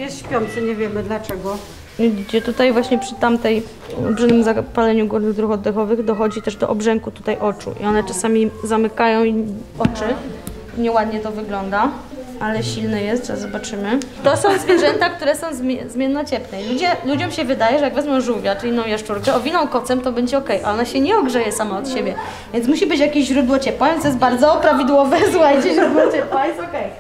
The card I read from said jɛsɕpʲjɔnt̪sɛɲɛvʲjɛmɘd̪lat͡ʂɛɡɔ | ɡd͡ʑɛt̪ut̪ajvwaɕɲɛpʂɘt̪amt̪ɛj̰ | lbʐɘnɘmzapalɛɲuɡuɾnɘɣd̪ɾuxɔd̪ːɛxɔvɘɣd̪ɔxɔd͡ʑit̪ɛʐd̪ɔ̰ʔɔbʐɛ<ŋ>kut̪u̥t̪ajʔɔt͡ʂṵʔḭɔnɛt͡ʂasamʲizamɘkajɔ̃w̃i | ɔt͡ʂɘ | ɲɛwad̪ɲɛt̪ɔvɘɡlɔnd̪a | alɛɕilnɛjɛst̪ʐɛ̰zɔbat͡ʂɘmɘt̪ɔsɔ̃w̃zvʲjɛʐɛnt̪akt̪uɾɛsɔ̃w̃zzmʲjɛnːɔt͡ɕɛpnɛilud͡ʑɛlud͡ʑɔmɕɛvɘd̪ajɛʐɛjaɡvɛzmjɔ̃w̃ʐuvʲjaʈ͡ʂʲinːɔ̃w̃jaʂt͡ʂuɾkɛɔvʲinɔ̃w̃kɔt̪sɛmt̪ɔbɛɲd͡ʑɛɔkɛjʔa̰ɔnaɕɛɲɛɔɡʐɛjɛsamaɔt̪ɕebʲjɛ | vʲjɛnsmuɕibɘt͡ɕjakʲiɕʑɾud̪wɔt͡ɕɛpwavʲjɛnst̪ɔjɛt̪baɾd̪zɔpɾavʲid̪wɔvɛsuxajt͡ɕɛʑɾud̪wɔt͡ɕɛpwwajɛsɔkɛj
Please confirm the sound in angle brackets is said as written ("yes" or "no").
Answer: yes